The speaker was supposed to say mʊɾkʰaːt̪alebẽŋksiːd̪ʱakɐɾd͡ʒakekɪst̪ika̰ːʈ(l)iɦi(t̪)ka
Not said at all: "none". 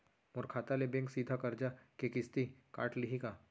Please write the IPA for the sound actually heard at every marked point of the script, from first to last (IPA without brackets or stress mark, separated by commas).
l, none